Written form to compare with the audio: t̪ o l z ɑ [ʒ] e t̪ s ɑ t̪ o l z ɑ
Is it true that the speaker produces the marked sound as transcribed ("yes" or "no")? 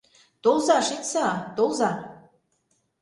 no